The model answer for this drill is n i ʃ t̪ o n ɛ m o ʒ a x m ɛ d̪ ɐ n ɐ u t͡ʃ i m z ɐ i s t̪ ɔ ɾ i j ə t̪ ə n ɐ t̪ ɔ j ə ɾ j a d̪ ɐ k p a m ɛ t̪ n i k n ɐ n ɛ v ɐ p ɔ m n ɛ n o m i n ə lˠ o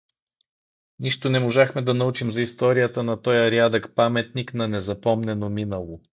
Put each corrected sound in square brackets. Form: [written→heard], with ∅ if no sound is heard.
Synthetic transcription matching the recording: n i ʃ t̪ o n ɛ m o ʒ a x m ɛ d̪ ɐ n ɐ u t͡ʃ i m z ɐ i s t̪ ɔ ɾ i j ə t̪ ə n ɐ t̪ ɔ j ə ɾ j a d̪ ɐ k p a m ɛ t̪ n i k n ɐ n ɛ [v→z] ɐ p ɔ m n ɛ n o m i n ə lˠ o